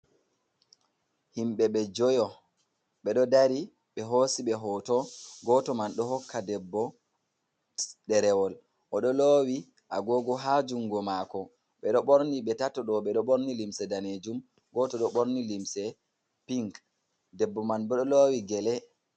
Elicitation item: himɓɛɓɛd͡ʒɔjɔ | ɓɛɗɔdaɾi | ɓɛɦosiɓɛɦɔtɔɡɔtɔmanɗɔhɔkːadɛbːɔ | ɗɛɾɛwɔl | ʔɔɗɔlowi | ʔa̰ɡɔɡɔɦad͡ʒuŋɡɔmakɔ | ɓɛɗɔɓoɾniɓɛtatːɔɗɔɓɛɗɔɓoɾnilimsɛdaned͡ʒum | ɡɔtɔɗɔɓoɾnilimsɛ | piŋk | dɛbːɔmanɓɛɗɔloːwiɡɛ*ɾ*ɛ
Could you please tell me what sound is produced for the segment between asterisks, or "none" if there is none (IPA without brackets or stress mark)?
l